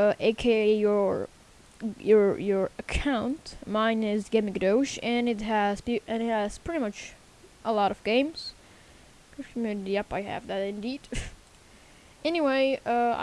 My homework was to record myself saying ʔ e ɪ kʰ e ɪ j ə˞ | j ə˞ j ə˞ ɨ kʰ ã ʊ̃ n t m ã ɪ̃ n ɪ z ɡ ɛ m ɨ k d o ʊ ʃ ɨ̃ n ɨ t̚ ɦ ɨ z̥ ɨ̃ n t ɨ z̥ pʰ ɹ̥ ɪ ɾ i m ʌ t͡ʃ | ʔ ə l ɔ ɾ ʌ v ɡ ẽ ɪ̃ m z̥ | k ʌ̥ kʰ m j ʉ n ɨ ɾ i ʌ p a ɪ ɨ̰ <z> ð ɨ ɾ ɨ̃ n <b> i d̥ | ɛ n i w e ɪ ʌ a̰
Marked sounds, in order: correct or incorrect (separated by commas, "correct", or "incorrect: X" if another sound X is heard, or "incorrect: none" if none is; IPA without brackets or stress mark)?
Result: incorrect: v, incorrect: d